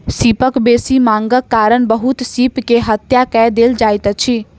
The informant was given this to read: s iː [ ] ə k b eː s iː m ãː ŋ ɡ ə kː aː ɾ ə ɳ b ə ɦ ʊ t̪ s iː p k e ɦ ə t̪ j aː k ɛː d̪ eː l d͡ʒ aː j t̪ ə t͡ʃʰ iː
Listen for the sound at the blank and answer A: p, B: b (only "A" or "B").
A